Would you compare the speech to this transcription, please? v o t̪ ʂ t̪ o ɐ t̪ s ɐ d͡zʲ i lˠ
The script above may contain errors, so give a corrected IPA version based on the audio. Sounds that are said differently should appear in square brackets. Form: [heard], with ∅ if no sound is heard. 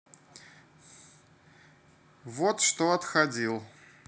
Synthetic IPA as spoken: v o t̪ ʂ t̪ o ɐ t̪ [x] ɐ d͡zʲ i lˠ